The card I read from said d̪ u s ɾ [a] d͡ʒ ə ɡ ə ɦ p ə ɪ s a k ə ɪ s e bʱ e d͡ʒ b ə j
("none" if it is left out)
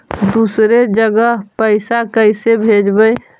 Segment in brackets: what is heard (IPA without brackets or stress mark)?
e